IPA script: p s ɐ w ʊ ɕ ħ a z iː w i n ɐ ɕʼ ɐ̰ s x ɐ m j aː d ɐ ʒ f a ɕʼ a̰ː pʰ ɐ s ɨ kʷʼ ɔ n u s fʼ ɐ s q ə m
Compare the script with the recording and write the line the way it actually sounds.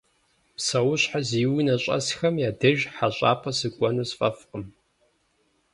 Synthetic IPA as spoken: p s ɐ w ʊ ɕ ħ a z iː w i n ɐ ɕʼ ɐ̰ s x ɐ m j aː d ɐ ʒ ħ a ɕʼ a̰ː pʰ ɐ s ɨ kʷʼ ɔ n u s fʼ ɐ f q ə m